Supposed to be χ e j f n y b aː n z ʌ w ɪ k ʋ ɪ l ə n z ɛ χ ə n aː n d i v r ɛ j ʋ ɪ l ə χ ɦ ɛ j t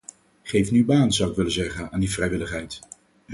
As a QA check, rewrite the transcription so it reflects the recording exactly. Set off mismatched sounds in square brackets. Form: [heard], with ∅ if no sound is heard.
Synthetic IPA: χ e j f n y b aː n z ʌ w ɪ k ʋ ɪ l ə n z ɛ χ ə n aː n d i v r ɛ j ʋ ɪ l ə χ ɦ ɛ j t